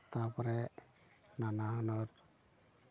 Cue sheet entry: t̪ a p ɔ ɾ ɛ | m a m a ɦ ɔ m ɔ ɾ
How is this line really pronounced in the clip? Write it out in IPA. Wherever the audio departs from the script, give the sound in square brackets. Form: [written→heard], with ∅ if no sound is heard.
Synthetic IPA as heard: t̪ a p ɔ ɾ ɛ | [m→n] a [m→n] a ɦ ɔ [m→n] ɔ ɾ